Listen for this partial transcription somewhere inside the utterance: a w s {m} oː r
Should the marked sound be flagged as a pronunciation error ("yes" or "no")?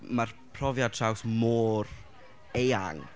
no